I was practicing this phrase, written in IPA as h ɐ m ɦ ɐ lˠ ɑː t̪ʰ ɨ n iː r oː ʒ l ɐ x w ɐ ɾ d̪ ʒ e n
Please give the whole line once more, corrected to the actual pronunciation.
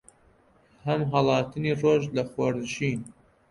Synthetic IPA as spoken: h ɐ m ɦ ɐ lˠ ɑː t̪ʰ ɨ n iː r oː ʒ l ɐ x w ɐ ɾ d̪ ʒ i n